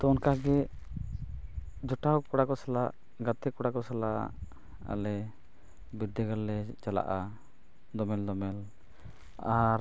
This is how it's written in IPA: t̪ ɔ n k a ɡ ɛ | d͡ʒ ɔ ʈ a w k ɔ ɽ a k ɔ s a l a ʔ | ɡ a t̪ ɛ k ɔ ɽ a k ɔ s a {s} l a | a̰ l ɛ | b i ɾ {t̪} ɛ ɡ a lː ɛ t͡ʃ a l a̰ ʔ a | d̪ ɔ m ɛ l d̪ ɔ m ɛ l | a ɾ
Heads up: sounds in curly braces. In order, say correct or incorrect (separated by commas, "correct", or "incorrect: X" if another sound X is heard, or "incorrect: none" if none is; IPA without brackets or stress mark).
incorrect: none, incorrect: d̪